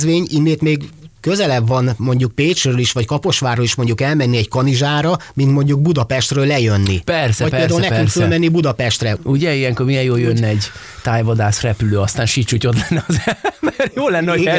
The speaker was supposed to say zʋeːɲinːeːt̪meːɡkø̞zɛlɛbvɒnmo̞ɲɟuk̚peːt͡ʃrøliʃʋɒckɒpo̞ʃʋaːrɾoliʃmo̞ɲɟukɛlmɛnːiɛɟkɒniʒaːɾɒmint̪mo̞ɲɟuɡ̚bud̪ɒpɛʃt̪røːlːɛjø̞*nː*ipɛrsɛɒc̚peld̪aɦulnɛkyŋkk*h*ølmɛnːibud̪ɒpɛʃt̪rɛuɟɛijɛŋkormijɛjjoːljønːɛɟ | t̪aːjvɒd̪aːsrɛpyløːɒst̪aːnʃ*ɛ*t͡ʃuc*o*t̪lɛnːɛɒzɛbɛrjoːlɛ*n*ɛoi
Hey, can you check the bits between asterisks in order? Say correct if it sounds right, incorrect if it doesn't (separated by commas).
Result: correct, incorrect, incorrect, correct, incorrect